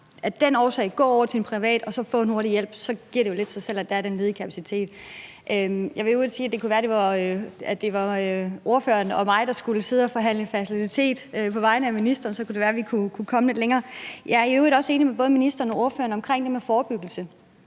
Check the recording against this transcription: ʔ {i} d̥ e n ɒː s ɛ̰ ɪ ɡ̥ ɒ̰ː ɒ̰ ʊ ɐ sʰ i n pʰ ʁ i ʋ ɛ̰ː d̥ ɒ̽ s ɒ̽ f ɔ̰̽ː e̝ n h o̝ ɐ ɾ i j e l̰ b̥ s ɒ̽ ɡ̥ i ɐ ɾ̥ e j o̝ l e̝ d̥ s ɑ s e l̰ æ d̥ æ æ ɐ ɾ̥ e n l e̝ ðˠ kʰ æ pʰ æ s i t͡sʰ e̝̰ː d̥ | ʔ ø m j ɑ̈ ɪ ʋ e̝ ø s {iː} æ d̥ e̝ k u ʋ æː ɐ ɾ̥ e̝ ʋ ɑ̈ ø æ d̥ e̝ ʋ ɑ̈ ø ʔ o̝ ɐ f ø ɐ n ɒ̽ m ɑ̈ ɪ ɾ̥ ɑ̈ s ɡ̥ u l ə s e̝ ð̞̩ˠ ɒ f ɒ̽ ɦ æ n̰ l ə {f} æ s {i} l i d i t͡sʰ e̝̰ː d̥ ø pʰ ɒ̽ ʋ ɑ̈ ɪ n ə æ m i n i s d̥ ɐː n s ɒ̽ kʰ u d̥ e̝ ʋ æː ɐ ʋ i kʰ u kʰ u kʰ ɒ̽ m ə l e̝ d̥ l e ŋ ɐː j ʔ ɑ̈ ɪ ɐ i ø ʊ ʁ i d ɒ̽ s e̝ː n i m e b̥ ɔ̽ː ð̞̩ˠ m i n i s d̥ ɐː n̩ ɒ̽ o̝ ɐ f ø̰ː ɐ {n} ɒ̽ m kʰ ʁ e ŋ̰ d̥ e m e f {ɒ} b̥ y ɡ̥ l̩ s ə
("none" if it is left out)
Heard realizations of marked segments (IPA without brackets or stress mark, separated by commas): æ, iː, f, i, n, ɒː